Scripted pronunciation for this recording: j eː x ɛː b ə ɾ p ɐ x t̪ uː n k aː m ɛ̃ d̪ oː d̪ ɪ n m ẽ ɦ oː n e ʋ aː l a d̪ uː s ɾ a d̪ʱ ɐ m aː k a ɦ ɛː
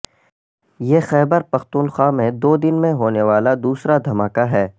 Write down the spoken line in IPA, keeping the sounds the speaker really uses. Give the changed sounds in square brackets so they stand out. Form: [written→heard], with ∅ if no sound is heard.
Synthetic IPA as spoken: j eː x ɛː b ə ɾ p ɐ x t̪ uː n [k→x] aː m [ɛ̃→ẽ] d̪ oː d̪ ɪ n m ẽ ɦ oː n e ʋ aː l a d̪ uː s ɾ a d̪ʱ ɐ m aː k a ɦ ɛː